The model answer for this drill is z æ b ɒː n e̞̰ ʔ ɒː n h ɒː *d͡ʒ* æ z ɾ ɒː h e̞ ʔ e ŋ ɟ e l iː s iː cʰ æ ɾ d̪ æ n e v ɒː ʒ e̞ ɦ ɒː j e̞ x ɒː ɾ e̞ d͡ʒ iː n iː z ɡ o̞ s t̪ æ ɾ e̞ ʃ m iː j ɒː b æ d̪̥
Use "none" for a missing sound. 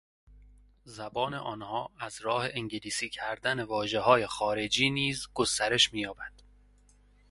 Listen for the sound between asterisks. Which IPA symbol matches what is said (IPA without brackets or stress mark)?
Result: none